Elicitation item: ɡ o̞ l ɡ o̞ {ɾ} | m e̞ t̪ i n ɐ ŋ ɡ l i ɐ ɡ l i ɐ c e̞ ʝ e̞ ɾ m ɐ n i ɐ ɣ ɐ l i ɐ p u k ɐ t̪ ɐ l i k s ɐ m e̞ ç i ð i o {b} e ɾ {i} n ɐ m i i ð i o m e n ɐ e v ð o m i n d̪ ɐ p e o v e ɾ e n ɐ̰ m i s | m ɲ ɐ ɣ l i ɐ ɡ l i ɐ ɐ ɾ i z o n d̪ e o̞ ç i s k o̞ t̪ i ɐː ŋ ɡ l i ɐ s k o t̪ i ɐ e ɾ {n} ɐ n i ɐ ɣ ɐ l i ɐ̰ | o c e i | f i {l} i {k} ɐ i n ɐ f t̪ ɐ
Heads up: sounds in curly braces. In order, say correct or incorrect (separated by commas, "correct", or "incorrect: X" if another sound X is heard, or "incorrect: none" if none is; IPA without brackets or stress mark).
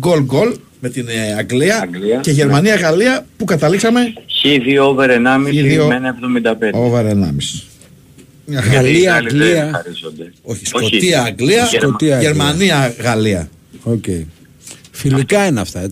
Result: incorrect: l, incorrect: v, incorrect: e, incorrect: m, correct, correct